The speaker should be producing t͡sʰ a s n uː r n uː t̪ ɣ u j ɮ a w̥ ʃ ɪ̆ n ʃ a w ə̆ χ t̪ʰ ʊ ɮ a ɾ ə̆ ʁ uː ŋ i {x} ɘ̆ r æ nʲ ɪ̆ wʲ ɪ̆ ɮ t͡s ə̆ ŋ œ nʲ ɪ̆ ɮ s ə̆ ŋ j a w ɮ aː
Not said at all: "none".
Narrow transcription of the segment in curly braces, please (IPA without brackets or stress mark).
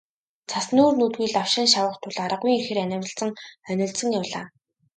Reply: x